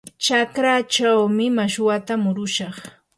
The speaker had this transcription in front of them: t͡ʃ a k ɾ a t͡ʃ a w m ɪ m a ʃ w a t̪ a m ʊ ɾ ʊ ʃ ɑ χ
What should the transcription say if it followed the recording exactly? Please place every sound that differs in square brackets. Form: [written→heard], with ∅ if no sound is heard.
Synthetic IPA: t͡ʃ a k ɾ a t͡ʃ a w m ɪ m a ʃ w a t̪ a m ʊ ɾ ʊ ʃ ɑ χ

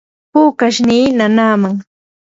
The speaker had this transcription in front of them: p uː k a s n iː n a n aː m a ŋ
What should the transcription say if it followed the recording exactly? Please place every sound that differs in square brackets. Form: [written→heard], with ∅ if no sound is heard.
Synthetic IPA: p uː k a [s→ʃ] n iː n a n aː m a ŋ

